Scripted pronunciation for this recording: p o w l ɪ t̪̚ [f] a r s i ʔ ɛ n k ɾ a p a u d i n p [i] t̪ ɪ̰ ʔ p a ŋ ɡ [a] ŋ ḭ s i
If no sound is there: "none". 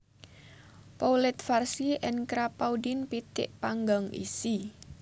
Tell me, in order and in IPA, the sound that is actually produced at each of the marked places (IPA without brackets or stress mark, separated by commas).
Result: f, i, a